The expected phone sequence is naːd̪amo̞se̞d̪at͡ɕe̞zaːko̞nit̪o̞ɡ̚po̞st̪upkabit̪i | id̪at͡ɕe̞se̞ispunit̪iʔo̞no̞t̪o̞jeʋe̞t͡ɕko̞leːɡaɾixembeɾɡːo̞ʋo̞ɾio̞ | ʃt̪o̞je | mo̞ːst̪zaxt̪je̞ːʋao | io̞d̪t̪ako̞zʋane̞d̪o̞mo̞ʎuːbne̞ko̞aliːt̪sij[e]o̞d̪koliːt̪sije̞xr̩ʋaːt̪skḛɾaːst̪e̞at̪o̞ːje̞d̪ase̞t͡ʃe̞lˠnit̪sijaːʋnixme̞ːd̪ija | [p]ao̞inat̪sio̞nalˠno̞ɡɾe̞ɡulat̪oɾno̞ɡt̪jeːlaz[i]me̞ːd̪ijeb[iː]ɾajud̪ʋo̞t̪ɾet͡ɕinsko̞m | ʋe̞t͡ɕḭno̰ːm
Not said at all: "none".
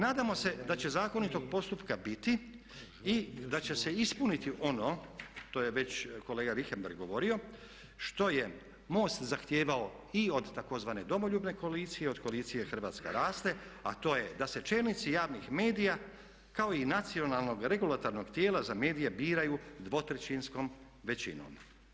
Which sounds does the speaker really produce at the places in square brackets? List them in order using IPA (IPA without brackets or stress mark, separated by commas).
e, k, a, iː